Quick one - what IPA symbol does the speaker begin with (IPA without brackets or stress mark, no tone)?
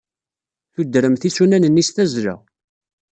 θ